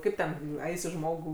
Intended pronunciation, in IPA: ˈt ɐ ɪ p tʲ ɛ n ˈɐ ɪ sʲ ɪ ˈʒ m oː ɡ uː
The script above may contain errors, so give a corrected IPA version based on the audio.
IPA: ˈk ɐ ɪ p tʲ ɛ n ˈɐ ɪ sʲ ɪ ˈʒ m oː ɡ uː